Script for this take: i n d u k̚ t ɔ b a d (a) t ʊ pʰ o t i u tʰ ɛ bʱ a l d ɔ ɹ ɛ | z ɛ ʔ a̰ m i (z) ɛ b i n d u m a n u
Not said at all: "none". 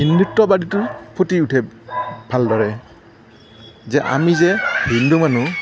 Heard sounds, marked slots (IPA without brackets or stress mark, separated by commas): i, z